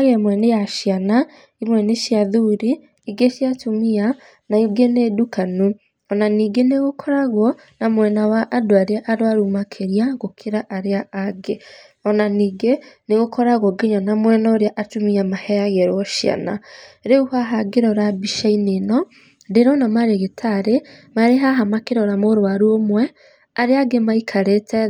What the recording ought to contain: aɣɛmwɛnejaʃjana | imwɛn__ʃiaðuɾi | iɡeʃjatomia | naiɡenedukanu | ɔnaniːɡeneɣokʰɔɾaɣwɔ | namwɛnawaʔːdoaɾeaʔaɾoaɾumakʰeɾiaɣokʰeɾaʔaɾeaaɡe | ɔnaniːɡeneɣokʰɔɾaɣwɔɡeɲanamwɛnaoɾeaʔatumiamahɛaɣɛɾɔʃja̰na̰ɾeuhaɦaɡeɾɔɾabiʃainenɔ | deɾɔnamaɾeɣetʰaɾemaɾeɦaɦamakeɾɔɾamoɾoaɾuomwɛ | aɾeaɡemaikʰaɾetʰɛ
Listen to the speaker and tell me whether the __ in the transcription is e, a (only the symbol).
e